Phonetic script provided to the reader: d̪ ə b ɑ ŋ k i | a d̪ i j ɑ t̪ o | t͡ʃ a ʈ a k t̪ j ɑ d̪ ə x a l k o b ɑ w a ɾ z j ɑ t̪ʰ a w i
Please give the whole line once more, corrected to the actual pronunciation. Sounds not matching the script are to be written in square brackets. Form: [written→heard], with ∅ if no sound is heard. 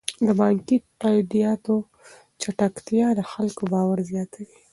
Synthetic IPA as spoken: d̪ ə b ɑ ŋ k i | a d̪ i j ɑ t̪ o | t͡ʃ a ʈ a k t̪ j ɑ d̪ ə x a l k o b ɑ w a ɾ z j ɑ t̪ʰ a w i